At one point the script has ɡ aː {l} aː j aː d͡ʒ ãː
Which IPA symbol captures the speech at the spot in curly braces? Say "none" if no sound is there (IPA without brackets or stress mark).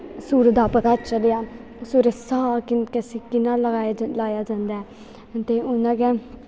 l